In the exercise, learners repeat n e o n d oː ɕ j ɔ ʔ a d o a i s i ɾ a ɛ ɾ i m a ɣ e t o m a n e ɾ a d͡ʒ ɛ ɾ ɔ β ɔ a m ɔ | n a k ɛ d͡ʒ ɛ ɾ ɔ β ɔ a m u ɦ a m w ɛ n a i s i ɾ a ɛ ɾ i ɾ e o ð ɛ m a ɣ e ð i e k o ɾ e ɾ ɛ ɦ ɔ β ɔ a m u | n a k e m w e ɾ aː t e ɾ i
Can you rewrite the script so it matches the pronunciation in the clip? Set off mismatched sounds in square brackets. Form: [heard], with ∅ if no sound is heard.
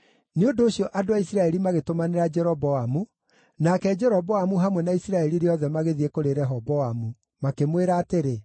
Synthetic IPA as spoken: n e o n d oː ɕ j ɔ ʔ a d o a i s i ɾ a ɛ ɾ i m a ɣ e t o m a n e ɾ a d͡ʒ ɛ ɾ ɔ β ɔ a m [u] | n a k ɛ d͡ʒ ɛ ɾ ɔ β ɔ a m u ɦ a m w ɛ n a i s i ɾ a ɛ ɾ i ɾ e [ɔ] ð ɛ m a ɣ e ð i e k o ɾ e ɾ ɛ ɦ ɔ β ɔ a m u | [m] a k e m w e ɾ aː t e ɾ [e]